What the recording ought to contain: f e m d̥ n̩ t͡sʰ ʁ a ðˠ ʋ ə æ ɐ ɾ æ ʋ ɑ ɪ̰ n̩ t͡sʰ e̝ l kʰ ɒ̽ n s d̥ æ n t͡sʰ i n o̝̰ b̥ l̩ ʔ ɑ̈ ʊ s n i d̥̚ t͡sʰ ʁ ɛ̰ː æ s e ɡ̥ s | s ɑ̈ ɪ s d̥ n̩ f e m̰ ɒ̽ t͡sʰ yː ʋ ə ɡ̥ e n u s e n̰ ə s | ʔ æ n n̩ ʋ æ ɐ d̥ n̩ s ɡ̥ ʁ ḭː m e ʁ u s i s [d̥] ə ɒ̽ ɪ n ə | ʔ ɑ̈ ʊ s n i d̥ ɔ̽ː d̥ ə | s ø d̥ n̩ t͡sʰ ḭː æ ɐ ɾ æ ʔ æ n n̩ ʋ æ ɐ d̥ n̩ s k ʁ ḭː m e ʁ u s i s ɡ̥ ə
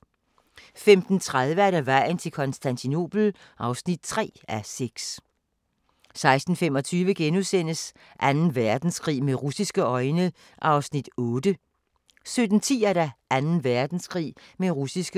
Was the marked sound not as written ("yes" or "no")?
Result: yes